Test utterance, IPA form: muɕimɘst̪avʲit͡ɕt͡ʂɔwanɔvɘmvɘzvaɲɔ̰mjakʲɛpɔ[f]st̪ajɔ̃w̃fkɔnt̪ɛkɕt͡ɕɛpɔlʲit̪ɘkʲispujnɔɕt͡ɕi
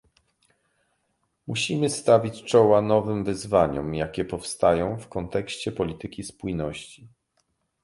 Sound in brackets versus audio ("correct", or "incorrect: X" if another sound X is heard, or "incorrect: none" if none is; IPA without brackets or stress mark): correct